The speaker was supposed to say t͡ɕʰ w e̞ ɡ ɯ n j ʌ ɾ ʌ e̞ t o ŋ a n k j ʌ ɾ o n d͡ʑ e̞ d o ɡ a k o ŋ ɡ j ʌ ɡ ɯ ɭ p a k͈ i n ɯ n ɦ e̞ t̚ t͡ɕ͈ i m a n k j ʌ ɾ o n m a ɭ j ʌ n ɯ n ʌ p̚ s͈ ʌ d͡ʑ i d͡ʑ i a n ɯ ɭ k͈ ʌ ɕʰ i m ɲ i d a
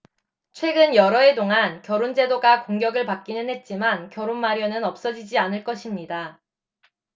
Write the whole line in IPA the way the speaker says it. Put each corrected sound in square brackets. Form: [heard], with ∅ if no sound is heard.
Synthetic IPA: t͡ɕʰ w e̞ ɡ ɯ n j ʌ ɾ ʌ e̞ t o ŋ a n k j ʌ ɾ o n d͡ʑ e̞ d o ɡ a k o ŋ ɡ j ʌ ɡ ɯ ɭ p a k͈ i n ɯ n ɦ e̞ t̚ t͡ɕ͈ i m a n k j ʌ ɾ o n m a [ɾ] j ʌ n ɯ n ʌ p̚ s͈ ʌ d͡ʑ i d͡ʑ i a n ɯ ɭ k͈ ʌ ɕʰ i m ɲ i d a